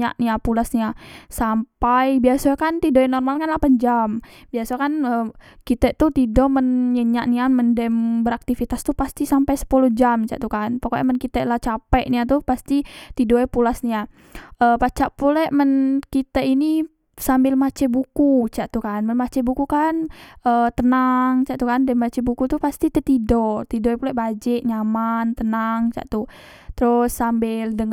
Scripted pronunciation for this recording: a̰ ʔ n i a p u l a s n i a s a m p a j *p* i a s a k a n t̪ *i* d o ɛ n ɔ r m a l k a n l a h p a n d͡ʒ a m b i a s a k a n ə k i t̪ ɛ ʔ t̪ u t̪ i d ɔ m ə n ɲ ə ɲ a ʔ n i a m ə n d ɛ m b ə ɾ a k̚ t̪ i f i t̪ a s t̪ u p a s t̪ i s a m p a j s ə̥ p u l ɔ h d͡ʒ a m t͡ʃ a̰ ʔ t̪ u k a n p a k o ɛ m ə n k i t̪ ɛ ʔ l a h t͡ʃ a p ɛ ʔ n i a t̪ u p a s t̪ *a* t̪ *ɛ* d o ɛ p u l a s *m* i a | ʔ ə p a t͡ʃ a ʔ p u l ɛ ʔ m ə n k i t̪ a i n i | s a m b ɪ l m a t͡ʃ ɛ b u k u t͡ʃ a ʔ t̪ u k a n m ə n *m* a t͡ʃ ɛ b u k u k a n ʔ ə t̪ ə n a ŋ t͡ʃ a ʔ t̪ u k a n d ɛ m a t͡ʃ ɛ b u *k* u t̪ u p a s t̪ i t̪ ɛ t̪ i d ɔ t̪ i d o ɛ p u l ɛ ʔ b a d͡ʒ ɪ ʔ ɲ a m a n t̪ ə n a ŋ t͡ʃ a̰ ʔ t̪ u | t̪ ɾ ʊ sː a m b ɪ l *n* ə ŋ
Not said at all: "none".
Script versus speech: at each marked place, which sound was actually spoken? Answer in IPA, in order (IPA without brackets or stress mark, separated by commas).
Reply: b, i, i, i, n, m, k, d